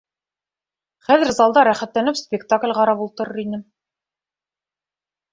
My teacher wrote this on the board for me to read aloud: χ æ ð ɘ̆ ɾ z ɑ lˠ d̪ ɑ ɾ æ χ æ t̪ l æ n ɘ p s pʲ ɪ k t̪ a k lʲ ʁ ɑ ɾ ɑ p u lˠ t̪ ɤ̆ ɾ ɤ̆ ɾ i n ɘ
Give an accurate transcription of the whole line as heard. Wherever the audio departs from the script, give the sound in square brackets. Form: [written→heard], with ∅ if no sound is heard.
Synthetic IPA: χ æ ð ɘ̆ ɾ z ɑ lˠ d̪ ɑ ɾ æ χ æ t̪ l æ n ɘ p s pʲ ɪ k t̪ a k lʲ ʁ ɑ ɾ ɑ p u lˠ t̪ ɤ̆ ɾ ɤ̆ ɾ i n ɘ